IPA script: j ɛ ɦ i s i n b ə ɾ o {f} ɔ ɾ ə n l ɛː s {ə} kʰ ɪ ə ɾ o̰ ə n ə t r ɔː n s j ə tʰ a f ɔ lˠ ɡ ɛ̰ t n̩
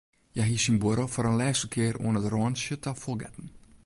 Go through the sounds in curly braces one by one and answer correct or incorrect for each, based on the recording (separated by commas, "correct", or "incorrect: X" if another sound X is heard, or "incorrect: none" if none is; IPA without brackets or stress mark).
correct, correct